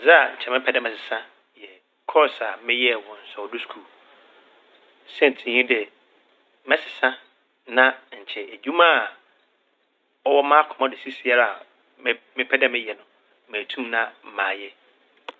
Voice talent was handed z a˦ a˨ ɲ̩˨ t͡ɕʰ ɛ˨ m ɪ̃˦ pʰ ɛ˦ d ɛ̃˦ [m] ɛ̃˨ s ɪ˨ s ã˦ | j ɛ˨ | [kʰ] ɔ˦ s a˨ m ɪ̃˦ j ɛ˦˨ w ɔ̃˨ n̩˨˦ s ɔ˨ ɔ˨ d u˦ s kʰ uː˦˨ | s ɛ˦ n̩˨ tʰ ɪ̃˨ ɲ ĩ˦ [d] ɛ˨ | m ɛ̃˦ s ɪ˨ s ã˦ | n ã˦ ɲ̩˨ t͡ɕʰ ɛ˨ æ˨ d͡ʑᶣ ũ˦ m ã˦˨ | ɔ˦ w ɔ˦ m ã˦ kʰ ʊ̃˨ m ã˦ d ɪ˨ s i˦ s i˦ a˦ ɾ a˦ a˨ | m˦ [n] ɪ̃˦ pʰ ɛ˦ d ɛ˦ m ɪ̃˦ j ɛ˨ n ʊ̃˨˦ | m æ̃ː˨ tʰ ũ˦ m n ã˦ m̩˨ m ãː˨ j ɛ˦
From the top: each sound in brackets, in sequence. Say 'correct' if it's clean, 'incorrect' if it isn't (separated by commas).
correct, correct, correct, incorrect